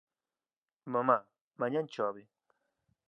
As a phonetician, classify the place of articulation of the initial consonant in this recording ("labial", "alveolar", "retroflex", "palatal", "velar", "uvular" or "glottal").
labial